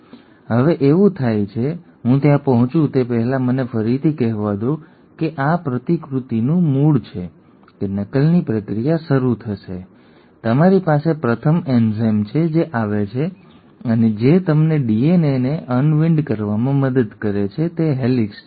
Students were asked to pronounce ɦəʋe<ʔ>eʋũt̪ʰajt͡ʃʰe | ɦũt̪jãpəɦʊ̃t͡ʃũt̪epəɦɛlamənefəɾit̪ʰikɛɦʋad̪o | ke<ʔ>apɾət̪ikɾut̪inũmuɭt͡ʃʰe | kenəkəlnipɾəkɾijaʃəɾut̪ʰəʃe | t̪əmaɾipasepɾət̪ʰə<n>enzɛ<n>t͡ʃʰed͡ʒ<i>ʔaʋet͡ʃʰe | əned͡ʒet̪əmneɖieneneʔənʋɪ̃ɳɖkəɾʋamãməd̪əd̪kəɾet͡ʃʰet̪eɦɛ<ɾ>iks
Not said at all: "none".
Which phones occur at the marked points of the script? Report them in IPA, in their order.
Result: ʔ, ʔ, m, m, e, l

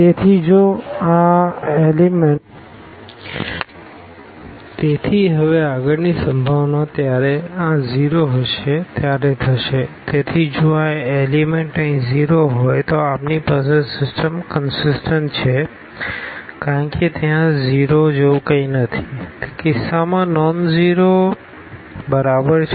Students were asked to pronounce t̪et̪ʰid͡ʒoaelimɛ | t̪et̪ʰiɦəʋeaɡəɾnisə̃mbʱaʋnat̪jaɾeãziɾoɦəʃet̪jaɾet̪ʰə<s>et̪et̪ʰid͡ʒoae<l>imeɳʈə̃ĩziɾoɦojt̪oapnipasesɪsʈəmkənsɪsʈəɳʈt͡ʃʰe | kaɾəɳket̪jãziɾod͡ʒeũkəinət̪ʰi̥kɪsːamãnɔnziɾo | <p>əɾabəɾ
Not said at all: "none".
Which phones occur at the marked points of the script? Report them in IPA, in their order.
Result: ʃ, l, b

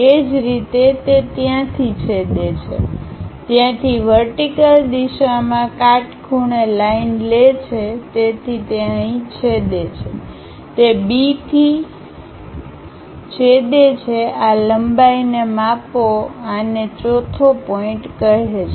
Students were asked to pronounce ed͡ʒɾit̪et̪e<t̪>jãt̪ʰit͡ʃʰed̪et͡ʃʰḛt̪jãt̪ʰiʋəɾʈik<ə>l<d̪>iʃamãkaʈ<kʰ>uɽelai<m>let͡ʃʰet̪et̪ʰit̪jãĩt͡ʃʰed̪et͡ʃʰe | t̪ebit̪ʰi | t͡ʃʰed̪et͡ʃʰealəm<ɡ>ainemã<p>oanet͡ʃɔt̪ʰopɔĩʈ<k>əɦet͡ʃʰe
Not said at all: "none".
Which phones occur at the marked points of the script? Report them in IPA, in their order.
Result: t̪, ə, d̪, kʰ, n, b, p, k

